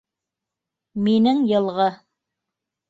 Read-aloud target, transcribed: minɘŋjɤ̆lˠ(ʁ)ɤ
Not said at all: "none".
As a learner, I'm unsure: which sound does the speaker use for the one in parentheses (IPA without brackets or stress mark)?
ʁ